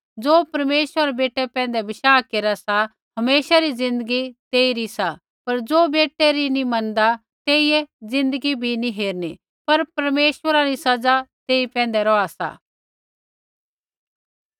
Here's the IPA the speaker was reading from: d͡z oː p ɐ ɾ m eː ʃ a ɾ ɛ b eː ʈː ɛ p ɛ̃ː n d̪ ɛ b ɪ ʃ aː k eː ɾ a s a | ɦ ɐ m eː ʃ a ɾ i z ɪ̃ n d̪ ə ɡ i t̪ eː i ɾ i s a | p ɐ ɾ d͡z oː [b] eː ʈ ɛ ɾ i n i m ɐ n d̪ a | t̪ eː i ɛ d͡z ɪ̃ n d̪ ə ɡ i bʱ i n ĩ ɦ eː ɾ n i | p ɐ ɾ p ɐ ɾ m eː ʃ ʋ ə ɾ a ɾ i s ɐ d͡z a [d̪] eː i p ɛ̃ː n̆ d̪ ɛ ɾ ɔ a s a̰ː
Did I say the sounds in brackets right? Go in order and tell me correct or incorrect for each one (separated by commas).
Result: correct, incorrect